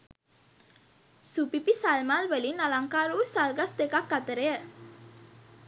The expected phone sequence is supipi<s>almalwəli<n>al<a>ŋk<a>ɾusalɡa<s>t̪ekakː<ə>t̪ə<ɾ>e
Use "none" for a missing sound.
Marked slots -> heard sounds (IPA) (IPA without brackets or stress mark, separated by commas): s, n, a, a, s, a, ɾ